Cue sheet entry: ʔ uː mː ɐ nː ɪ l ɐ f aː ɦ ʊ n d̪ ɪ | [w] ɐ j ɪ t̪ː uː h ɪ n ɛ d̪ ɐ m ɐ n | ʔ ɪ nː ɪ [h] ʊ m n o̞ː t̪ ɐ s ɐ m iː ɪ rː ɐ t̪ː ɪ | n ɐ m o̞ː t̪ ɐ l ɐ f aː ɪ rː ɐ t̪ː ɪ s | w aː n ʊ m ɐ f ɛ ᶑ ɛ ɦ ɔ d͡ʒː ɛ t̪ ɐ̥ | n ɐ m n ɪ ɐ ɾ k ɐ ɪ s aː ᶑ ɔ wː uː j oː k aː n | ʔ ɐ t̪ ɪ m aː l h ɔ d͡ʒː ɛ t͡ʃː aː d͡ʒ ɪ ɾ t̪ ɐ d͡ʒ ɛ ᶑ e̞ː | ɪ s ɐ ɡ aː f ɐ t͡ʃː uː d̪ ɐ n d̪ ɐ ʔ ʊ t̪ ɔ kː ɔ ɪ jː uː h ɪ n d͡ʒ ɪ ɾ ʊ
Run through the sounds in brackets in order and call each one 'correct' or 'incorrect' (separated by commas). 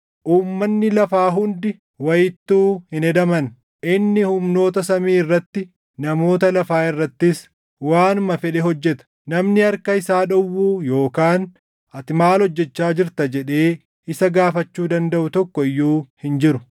correct, correct